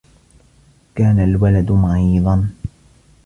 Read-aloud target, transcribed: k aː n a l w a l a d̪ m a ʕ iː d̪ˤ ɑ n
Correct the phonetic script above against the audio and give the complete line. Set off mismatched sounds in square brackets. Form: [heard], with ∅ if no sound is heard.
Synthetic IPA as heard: k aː n a l w a l a d̪ m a ʕ iː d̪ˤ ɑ n